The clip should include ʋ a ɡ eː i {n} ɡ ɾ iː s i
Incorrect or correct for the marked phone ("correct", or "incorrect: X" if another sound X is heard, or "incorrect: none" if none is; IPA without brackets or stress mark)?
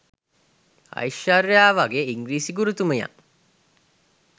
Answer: incorrect: ŋ